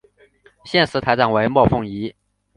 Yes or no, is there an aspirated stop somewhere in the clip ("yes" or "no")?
yes